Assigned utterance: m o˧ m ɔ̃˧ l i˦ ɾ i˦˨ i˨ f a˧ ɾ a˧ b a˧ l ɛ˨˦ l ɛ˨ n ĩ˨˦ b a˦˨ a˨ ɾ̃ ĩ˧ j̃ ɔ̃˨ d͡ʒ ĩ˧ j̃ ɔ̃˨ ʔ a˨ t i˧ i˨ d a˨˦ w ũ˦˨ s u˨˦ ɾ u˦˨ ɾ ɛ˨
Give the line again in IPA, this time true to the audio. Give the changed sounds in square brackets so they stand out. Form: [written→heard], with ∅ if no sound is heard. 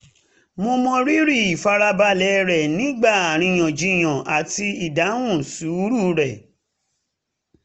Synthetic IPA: m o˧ m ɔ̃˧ [l→ɾ] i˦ ɾ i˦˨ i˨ f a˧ ɾ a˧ b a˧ l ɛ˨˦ [l→ɾ] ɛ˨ n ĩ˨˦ [b→ɡ͡b] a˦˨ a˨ ɾ̃ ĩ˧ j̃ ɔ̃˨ d͡ʒ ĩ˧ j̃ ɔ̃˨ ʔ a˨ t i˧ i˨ d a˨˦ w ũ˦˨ s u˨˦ ɾ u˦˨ ɾ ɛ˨

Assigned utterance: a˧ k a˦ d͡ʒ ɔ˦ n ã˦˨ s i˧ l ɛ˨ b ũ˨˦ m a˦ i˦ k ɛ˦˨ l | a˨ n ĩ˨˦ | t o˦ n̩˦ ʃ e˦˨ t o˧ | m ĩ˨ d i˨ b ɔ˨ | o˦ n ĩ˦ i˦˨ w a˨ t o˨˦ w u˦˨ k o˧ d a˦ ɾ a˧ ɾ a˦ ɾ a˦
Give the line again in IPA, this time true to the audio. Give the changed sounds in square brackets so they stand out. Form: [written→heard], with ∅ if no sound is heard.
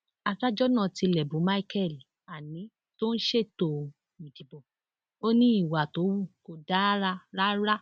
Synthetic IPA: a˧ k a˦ d͡ʒ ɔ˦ n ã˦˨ [s→t] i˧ l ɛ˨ b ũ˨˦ m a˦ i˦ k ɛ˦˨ l | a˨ n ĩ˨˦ | t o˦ n̩˦ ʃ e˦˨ t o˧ | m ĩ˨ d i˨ b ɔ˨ | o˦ n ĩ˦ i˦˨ w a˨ t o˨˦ w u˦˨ k o˧ d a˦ ɾ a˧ ɾ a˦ ɾ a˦

